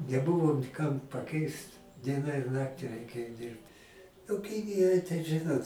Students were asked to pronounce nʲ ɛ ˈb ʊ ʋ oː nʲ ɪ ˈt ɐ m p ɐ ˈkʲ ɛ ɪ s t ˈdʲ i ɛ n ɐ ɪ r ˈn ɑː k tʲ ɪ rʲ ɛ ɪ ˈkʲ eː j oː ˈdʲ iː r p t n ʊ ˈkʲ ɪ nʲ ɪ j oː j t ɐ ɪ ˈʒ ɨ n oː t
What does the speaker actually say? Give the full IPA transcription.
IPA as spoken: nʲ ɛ ˈb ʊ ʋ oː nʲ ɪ ˈk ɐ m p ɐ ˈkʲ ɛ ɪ s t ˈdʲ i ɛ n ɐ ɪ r ˈn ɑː k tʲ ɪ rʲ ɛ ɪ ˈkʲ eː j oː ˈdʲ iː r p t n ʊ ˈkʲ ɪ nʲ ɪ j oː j t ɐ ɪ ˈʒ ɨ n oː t